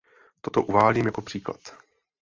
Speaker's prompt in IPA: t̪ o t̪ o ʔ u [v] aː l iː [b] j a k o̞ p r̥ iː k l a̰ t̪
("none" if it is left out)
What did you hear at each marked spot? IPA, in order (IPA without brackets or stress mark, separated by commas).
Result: v, m